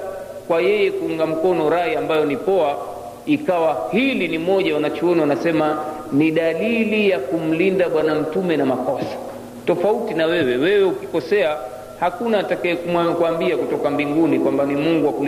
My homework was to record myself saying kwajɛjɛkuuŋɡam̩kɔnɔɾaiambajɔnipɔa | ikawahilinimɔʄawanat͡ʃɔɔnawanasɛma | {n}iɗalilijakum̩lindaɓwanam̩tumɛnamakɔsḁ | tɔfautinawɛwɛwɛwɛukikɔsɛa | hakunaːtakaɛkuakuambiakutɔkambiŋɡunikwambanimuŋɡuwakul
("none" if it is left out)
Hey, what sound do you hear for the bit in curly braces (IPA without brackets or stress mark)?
n